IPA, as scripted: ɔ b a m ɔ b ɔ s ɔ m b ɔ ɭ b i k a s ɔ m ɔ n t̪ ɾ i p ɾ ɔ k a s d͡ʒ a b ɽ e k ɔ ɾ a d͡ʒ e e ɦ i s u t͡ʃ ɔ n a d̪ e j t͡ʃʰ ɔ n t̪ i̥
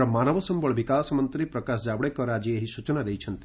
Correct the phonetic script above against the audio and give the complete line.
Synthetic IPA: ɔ m a n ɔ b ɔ s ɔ m b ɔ ɭ b i k a s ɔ m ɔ n t̪ ɾ i p ɾ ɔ k a s d͡ʒ a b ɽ e k ɔ ɾ a d͡ʒ i e ɦ i s u t͡ʃ ɔ n a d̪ e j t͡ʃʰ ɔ n t̪ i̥